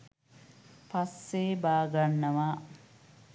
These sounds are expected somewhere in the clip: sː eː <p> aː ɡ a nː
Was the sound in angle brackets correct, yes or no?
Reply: no